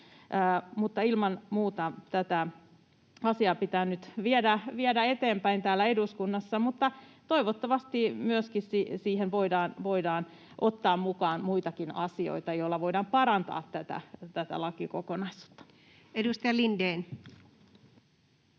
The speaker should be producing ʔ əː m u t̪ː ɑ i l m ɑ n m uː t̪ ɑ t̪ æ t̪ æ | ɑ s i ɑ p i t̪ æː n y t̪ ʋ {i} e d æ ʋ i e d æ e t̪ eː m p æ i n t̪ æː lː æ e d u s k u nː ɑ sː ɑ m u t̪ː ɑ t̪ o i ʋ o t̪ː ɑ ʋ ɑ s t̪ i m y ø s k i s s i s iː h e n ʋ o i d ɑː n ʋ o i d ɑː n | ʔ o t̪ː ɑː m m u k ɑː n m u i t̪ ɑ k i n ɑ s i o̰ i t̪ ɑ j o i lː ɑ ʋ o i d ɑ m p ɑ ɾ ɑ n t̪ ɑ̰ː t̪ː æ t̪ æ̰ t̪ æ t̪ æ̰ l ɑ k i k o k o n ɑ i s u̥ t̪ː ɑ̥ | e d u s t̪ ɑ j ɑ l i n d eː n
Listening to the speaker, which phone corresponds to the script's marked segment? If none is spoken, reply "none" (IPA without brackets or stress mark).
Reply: i